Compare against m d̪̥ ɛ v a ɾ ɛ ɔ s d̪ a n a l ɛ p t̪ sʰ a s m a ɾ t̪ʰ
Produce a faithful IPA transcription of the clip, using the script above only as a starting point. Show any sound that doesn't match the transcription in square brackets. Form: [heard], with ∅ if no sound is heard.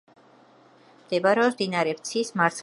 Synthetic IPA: m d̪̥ ɛ [b] a ɾ ɛ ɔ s d̪ [i] n a [ɾ] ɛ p t̪ sʰ [i] s m a ɾ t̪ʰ